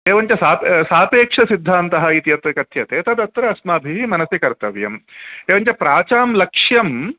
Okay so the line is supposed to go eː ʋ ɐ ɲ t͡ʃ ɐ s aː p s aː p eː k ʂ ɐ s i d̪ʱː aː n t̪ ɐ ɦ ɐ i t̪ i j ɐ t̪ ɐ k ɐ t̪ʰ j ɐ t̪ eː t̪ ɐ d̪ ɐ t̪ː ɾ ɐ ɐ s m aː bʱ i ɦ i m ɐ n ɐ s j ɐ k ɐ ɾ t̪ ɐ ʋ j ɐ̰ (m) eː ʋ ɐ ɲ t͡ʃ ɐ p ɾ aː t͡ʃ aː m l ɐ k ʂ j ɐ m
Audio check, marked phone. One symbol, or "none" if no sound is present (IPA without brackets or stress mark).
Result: m